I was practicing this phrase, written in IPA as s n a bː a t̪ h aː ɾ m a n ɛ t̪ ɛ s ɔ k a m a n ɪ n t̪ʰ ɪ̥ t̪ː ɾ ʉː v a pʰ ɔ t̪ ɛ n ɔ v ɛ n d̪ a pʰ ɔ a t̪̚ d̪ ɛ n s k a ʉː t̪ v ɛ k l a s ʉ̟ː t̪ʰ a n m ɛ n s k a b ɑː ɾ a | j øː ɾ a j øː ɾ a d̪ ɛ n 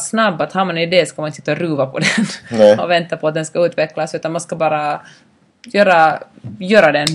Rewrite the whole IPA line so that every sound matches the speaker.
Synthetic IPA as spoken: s n a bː a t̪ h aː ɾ m a n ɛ d̪ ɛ s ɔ k a m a n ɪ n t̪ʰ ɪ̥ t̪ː ɾ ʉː v a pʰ ɔ d̪ ɛ n ɔ v ɛ n t̪ a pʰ ɔ a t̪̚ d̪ ɛ n s k a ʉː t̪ v ɛ k l a s ʉ̟ː t̪ a n m a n s k a b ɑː ɾ a | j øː ɾ a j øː ɾ a d̪ ɛ n